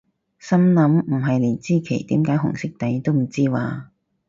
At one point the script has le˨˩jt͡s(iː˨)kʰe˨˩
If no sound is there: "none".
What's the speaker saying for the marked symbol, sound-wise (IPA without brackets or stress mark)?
iː˥